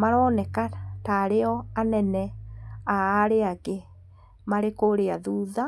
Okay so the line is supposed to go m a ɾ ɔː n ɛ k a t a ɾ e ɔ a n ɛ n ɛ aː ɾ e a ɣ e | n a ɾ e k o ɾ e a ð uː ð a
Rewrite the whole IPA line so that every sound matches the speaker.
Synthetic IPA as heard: m a ɾ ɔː n ɛ k a t a ɾ e ɔ a n ɛ n ɛ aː ɾ e a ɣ e | m a ɾ e k o ɾ e a ð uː ð a

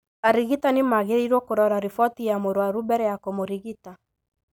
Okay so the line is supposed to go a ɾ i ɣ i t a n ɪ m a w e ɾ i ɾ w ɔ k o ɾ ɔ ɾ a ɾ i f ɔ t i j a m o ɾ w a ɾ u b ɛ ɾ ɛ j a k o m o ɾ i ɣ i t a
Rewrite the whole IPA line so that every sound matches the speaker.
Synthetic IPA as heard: a ɾ i ɣ i t a n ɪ m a ɣ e ɾ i ɾ w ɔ k o ɾ ɔ ɾ a ɾ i f ɔ t i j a m o ɾ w a ɾ u b ɛ ɾ ɛ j a k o m o ɾ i ɣ i t a

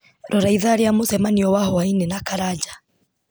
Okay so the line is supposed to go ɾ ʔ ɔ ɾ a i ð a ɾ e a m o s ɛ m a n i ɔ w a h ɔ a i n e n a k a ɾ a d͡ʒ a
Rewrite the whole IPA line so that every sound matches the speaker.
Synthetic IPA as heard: ɾ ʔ ɔ ɾ a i ð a ɾ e a m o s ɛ m a n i ɔ w a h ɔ a i n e n a k a ɾ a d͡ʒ a

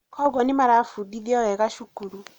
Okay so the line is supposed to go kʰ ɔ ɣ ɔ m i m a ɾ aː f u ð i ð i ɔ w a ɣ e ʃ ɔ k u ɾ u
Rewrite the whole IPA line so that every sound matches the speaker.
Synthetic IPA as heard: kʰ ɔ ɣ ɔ n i m a ɾ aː f u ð i ð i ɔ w ɛ ɣ a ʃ u k u ɾ u

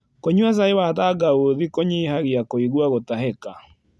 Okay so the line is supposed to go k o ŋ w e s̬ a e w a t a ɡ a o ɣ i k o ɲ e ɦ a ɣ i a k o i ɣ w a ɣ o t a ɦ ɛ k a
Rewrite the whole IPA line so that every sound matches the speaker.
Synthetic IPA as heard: k o ɲ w a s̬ a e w a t a ɡ a o ð i k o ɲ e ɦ a ɣ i a k o i ɣ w a ɣ o t a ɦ ɛ k a

